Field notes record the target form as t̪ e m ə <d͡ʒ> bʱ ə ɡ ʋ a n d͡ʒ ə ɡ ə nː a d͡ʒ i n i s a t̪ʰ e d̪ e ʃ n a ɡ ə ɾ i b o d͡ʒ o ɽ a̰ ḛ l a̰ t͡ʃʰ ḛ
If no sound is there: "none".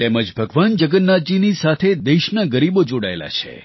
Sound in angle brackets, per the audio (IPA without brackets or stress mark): d͡ʒ